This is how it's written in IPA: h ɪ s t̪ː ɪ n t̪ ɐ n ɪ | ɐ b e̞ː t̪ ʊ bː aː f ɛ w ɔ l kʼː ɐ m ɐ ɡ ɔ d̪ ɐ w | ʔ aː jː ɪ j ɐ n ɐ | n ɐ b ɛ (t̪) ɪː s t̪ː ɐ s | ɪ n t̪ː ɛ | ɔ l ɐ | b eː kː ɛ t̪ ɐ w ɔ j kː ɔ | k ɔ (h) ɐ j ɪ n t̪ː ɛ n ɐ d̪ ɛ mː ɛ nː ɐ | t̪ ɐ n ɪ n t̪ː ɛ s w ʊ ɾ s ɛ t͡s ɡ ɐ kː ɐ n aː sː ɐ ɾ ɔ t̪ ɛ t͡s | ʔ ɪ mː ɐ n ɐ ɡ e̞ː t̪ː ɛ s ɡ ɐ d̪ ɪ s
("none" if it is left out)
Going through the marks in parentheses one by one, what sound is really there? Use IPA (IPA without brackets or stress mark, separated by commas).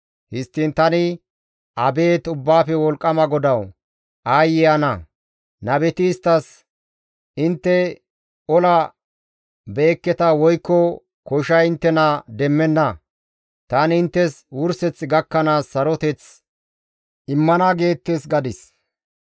t̪, ʃ